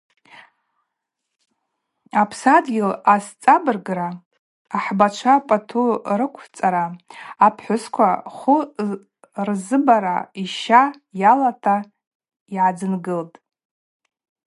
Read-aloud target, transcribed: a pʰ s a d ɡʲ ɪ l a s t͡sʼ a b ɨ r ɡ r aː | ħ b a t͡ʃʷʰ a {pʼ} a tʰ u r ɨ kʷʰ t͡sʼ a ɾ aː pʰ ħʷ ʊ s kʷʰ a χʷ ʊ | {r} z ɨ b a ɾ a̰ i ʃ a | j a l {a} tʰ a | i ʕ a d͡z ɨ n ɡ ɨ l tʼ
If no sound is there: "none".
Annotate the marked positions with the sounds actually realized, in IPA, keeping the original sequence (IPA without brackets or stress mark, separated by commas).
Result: pʼ, r, a